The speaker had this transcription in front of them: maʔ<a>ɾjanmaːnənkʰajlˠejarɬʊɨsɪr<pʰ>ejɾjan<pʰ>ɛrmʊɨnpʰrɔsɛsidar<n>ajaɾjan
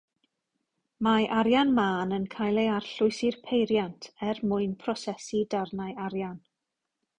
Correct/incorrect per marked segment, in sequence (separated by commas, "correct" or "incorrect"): correct, correct, incorrect, correct